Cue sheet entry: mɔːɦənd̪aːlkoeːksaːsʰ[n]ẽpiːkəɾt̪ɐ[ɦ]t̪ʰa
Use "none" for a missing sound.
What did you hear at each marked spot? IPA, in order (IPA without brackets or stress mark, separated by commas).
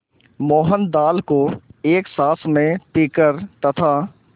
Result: m, none